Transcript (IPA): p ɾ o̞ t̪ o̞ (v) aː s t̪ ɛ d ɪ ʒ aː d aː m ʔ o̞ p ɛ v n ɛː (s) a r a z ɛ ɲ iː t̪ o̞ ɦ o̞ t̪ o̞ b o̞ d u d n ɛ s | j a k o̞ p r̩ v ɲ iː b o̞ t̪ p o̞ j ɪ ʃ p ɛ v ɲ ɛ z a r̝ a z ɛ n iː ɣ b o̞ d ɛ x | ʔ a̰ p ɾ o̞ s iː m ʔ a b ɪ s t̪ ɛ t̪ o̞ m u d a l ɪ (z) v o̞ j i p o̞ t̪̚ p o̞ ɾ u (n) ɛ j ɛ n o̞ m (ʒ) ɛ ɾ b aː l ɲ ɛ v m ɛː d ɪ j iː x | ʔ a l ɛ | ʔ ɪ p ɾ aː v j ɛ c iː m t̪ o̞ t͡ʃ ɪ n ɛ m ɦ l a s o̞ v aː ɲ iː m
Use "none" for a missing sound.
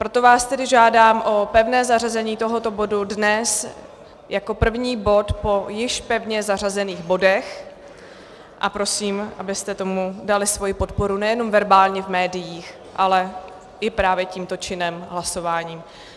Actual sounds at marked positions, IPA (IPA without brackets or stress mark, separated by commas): v, z, s, n, v